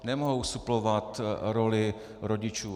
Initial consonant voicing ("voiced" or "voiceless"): voiced